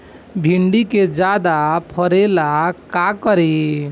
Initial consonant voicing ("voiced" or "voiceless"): voiced